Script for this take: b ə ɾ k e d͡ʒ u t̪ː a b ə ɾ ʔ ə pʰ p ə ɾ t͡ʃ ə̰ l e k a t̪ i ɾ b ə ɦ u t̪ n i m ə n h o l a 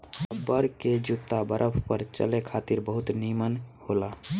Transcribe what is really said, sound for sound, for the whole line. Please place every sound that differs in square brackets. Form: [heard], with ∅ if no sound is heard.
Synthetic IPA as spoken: b ə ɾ k e d͡ʒ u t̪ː a b ə ɾ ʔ ə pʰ p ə ɾ t͡ʃ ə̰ l e [kʰ] a t̪ i ɾ b ə ɦ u t̪ n i m ə n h o l a